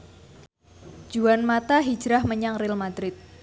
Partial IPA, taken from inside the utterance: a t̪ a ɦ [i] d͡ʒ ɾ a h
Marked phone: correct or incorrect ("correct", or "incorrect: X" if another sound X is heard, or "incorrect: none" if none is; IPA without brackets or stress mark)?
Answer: correct